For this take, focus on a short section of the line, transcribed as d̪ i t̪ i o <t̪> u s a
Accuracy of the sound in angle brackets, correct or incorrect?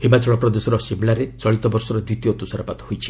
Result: correct